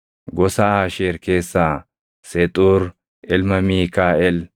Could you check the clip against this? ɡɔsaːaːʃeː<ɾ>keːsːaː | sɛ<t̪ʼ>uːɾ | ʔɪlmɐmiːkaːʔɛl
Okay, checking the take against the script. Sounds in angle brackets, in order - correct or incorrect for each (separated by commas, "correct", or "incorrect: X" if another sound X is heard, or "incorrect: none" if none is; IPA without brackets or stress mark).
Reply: correct, correct